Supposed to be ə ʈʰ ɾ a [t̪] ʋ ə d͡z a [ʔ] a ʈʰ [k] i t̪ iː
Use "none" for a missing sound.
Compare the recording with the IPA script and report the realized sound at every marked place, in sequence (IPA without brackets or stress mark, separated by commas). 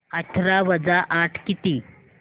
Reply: none, ʔ, k